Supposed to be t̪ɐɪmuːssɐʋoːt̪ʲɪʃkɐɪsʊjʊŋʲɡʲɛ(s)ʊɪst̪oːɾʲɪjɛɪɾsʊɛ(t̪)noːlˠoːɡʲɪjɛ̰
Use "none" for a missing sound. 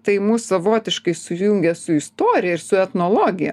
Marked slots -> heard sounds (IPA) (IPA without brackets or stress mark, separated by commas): s, t̪